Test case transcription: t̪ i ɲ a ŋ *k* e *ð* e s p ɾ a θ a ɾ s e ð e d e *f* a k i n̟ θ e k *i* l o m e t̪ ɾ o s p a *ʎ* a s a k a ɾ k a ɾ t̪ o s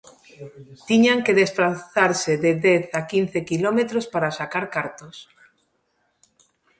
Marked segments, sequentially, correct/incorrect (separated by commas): correct, correct, incorrect, correct, incorrect